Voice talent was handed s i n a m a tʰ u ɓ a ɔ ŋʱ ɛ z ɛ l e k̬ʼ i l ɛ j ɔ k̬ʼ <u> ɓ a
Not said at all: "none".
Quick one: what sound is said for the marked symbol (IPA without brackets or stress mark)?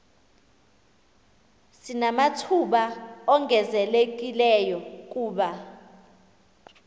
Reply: uː